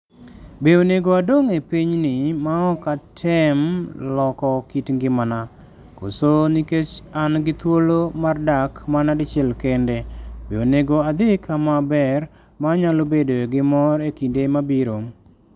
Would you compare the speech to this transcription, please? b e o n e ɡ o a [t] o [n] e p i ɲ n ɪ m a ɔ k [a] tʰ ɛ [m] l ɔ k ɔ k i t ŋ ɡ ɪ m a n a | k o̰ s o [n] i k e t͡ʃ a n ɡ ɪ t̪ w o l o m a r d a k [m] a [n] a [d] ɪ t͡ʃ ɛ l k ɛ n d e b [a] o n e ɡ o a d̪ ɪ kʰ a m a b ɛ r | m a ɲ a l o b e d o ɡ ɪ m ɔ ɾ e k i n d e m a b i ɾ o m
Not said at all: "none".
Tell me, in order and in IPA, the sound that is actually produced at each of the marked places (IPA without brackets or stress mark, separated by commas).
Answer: d, ŋ, a, m, n, m, n, d, e